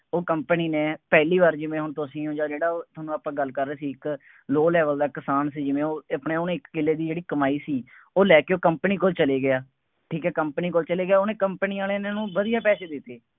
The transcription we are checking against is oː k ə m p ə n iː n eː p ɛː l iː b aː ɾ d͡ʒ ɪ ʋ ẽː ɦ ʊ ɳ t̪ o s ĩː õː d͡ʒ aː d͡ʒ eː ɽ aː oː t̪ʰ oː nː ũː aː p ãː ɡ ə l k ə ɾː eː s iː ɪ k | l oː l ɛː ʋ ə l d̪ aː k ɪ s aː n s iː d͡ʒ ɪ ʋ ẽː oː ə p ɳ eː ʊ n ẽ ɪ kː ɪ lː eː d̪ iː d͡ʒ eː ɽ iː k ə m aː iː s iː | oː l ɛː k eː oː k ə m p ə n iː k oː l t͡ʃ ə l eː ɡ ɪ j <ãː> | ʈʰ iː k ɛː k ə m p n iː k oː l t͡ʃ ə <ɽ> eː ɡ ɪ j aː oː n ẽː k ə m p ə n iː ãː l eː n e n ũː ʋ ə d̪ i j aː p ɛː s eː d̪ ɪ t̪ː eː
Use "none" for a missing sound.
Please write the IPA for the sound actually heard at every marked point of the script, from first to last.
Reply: aː, l

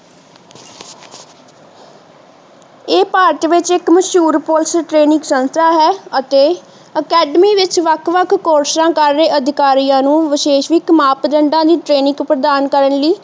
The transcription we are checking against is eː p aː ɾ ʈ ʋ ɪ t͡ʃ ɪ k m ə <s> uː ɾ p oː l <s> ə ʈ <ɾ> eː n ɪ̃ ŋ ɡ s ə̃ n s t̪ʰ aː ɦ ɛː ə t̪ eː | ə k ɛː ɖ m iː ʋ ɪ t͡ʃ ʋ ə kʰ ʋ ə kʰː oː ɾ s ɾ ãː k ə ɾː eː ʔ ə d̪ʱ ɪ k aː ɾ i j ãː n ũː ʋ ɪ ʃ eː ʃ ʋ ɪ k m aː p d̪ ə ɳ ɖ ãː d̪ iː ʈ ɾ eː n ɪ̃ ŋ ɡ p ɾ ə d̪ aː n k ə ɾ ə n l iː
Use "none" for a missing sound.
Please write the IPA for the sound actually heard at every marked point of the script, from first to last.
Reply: ʃ, s, ɾ

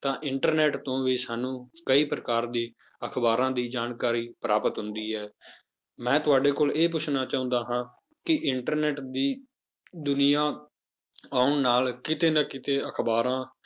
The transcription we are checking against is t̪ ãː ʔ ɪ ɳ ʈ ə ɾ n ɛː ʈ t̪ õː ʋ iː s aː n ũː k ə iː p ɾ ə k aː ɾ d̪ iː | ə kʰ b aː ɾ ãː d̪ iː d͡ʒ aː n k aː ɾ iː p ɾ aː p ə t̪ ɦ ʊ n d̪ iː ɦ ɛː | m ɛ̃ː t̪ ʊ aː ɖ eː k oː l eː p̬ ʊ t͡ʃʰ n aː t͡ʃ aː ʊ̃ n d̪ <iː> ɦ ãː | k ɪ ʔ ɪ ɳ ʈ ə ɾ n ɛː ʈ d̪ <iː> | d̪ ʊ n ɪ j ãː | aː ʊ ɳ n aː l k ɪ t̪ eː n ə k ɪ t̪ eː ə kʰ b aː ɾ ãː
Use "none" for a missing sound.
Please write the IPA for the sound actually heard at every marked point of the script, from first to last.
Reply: aː, iː

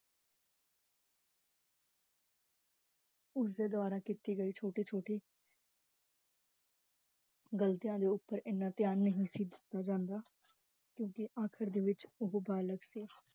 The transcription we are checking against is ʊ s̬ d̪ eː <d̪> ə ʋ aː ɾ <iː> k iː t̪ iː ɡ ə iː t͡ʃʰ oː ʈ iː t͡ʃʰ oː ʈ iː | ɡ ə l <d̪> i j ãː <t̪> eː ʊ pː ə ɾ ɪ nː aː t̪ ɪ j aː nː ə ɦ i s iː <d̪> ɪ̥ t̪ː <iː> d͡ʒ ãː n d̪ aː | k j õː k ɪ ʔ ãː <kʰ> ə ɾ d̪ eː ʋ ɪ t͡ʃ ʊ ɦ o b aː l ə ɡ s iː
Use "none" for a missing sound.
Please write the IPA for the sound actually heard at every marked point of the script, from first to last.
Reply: d̪, aː, t̪, d̪, d̪, aː, kʰ

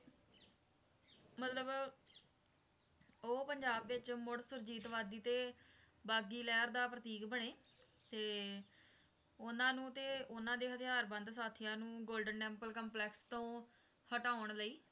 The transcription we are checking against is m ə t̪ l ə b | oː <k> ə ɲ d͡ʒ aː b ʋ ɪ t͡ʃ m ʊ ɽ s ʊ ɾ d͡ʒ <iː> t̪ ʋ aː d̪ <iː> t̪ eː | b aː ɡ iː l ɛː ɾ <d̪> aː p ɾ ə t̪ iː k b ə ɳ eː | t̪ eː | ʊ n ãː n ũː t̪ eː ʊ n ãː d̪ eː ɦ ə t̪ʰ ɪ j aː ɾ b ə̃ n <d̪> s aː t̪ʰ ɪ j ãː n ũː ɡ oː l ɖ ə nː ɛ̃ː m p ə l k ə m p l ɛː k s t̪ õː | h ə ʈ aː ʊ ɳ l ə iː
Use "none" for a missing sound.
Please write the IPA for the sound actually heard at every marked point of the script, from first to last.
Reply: p, iː, iː, d̪, d̪

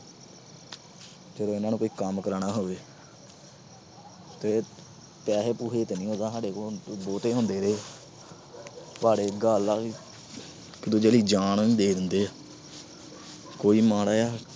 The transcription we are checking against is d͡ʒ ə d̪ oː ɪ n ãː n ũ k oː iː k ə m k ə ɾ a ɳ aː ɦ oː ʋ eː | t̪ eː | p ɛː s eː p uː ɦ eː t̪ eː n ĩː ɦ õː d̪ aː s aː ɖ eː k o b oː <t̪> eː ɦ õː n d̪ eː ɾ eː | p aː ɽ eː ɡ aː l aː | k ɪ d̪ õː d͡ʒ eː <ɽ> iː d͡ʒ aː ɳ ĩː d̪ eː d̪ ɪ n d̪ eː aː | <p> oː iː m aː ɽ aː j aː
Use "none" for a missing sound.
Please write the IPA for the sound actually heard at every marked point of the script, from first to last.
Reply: t̪, l, k

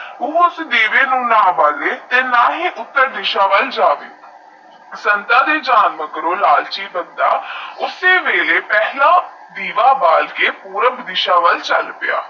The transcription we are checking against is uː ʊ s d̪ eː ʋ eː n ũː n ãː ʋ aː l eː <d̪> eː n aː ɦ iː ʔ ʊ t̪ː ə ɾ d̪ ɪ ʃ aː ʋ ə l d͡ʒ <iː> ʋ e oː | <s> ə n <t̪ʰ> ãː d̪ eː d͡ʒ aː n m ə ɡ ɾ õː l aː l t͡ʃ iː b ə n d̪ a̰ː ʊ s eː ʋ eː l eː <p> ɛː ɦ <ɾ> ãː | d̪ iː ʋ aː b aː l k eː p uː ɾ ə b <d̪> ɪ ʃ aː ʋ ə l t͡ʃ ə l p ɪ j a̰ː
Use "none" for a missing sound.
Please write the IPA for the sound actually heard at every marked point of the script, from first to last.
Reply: t̪, aː, s, t̪, p, l, d̪

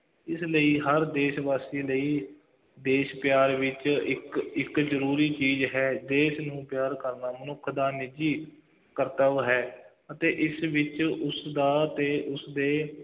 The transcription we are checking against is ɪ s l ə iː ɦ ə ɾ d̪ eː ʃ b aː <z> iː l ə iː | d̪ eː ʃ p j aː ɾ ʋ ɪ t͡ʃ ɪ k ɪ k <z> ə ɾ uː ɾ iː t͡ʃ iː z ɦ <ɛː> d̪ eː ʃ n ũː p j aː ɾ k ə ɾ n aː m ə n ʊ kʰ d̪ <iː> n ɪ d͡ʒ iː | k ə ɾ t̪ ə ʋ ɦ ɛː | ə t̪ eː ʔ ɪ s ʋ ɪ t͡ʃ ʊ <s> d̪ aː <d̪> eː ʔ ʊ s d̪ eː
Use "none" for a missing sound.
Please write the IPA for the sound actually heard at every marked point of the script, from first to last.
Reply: s, z, ɛː, aː, s, t̪

